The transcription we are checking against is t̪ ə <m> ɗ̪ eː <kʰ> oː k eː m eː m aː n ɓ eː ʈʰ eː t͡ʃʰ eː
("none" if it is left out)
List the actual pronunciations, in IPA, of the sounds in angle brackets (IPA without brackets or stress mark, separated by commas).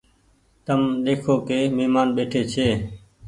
m, kʰ